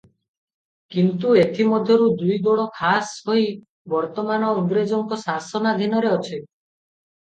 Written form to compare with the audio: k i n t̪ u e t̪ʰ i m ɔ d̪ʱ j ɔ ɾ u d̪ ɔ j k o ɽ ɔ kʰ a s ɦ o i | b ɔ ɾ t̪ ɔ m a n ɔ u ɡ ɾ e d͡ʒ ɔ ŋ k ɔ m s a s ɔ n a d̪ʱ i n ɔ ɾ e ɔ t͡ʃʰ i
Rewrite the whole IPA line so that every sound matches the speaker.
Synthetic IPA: k i n t̪ u e t̪ʰ i m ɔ d̪ʱ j ɔ ɾ u d̪ u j ɡ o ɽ ɔ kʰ a s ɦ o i | b ɔ ɾ t̪ ɔ m a n ɔ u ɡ ɾ e d͡ʒ ɔ ŋ k ɔ s a s ɔ n a d̪ʱ i n ɔ ɾ e ɔ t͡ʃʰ i